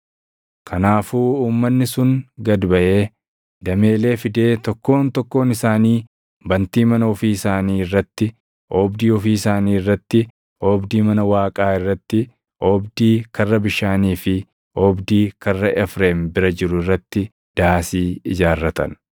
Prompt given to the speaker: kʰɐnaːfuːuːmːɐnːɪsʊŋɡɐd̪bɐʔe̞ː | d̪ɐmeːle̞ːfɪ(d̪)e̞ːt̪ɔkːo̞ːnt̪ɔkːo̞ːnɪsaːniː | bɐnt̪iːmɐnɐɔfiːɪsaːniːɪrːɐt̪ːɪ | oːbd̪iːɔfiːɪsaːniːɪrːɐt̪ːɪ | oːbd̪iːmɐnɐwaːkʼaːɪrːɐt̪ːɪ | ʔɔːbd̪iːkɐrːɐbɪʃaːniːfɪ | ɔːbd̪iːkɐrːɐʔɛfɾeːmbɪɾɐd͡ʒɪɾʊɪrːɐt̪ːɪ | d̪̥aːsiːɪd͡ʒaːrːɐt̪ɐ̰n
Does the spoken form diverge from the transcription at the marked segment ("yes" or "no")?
no